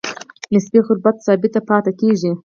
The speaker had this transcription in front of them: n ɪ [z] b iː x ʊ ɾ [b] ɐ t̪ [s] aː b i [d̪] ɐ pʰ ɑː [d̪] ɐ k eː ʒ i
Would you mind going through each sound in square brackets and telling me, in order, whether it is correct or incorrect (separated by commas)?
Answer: incorrect, correct, correct, incorrect, incorrect